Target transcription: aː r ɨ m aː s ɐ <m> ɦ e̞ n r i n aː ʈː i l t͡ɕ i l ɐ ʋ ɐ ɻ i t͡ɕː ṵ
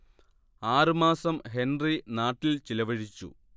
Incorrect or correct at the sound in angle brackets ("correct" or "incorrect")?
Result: correct